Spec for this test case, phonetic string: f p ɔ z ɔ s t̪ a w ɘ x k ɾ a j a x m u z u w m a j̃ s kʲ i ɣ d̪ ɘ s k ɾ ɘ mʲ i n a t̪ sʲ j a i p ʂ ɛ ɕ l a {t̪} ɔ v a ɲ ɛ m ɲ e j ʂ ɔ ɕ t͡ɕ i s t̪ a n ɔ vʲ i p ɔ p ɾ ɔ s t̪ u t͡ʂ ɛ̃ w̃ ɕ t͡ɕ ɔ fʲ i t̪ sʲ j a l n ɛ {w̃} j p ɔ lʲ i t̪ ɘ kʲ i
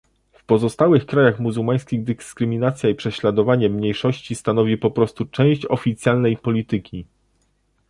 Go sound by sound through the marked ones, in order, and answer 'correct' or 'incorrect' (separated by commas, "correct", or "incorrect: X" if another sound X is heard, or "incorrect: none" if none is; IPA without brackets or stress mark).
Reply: incorrect: d̪, incorrect: none